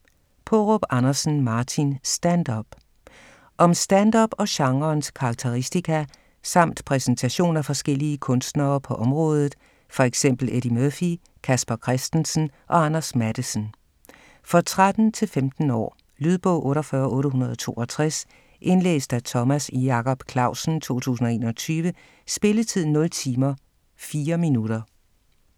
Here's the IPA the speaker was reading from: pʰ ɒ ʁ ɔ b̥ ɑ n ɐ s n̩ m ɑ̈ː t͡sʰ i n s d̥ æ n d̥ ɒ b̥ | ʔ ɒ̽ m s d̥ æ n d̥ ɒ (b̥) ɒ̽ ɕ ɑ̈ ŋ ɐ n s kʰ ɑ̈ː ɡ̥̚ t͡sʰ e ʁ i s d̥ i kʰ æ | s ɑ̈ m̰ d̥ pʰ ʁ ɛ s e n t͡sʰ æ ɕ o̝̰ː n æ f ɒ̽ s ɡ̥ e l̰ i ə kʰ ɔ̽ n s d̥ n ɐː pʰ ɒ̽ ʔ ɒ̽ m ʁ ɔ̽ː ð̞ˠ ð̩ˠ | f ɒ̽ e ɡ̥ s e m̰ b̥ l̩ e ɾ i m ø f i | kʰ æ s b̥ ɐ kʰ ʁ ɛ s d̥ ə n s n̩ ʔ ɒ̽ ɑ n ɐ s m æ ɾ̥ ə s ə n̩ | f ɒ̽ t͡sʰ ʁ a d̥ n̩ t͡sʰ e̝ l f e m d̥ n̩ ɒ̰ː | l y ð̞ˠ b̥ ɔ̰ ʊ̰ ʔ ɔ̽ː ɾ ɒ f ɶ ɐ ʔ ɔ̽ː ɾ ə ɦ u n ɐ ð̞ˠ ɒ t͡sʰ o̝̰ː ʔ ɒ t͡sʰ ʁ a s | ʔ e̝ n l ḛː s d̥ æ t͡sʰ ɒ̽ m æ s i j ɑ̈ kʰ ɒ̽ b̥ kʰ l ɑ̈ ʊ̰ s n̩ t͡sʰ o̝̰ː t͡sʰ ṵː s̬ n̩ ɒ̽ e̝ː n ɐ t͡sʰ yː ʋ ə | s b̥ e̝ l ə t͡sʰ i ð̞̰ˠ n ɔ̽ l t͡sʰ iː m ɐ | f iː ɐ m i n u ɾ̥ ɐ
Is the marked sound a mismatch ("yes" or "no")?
no